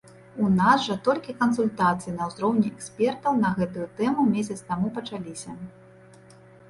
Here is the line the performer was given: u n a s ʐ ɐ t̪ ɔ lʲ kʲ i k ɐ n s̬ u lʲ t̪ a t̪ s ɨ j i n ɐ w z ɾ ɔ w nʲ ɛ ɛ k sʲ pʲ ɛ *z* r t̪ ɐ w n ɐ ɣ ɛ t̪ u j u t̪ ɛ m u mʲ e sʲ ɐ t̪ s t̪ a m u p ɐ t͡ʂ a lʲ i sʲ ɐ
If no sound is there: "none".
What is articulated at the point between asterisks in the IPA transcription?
none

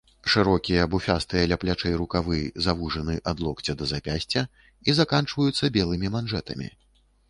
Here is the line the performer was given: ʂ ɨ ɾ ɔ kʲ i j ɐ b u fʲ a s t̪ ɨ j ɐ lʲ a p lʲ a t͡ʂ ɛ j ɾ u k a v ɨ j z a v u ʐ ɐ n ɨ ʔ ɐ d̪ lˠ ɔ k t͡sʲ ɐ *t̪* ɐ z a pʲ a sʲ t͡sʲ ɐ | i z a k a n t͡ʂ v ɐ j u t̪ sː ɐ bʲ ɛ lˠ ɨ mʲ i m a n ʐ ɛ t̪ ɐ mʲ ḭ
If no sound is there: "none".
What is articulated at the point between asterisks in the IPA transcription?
d̪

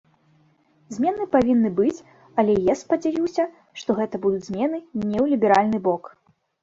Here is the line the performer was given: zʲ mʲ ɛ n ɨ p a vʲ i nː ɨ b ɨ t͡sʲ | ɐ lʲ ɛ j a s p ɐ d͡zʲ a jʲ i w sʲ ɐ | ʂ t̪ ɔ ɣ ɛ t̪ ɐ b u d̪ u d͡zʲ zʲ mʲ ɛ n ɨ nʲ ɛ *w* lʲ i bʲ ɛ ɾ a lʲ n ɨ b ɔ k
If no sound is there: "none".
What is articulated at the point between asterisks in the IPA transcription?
w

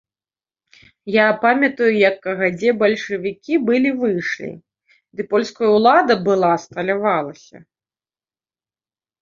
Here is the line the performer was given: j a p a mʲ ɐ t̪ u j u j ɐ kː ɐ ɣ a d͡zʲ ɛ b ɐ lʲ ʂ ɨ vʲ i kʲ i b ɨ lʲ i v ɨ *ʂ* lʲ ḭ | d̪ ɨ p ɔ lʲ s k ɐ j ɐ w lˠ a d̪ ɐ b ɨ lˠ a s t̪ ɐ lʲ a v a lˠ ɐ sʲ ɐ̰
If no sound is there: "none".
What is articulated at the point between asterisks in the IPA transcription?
ʂ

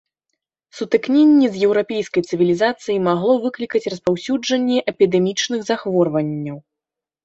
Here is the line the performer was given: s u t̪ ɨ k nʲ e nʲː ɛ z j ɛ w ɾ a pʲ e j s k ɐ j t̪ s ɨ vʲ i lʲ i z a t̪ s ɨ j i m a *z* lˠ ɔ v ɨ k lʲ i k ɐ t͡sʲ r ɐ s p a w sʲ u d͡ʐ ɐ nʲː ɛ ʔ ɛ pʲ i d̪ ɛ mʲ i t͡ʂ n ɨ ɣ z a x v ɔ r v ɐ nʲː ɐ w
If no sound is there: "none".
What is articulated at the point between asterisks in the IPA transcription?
ɣ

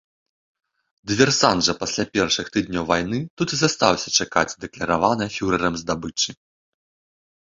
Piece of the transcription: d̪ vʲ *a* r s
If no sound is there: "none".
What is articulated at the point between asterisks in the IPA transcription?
ɛ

